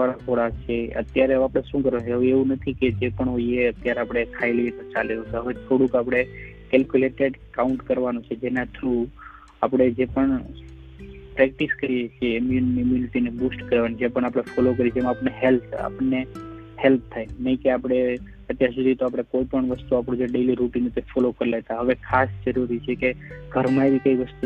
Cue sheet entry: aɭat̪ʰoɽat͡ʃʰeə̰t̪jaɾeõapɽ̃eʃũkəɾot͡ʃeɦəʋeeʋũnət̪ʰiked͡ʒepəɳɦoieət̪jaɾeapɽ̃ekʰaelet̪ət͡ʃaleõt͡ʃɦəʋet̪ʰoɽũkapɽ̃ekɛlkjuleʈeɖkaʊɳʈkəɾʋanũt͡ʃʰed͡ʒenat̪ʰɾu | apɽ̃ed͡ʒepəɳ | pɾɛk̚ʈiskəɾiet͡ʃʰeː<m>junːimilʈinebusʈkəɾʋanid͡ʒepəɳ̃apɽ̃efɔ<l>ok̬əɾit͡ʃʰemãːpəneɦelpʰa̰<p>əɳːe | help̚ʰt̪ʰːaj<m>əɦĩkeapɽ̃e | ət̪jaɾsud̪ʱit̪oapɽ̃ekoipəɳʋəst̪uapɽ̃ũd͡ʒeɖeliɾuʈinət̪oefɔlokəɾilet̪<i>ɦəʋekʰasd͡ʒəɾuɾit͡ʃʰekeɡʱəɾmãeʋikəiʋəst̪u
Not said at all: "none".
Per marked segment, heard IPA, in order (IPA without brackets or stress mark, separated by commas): m, l, p, n, a